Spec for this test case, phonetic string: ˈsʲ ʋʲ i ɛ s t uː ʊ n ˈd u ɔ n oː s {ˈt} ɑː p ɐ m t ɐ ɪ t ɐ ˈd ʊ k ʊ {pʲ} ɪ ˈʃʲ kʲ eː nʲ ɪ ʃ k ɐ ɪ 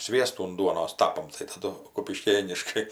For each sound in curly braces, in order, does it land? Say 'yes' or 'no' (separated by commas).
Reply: yes, yes